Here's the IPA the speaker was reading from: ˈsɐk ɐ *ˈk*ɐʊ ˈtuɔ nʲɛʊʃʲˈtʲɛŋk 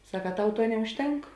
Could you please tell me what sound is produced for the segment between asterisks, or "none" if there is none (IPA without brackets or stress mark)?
t